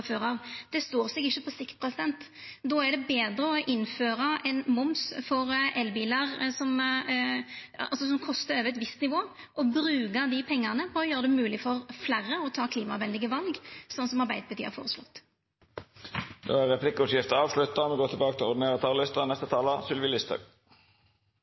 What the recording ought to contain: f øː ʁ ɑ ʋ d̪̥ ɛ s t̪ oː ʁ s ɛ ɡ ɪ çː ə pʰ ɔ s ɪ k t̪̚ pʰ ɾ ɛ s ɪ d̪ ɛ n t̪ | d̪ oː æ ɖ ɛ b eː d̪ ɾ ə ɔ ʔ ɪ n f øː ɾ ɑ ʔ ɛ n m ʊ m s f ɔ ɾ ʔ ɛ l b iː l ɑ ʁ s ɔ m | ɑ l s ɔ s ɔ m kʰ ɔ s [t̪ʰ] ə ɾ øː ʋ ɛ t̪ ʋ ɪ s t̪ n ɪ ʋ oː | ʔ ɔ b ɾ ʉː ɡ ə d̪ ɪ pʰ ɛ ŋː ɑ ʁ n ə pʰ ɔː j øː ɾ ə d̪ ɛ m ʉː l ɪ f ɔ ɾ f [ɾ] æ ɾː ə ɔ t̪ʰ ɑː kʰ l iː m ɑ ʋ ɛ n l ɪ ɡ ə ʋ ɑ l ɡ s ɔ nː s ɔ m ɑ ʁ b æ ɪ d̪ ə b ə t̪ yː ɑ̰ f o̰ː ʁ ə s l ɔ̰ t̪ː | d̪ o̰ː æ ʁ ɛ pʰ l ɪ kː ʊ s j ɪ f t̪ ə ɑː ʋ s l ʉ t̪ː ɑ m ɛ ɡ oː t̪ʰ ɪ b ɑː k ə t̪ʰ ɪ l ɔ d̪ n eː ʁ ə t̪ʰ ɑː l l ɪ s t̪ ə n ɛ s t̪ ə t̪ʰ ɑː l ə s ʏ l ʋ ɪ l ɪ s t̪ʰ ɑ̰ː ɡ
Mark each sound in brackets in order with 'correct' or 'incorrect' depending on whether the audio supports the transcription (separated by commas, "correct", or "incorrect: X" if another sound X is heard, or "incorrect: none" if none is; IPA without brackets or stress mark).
incorrect: t̪, incorrect: l